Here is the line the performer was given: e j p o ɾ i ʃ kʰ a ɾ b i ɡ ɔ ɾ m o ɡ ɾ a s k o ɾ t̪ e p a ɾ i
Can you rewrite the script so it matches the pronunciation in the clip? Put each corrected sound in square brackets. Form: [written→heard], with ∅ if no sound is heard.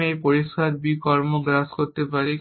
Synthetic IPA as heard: e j p o ɾ i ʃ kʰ a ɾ b i [ɡ→k] ɔ ɾ m o ɡ ɾ a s k o ɾ t̪ e p a ɾ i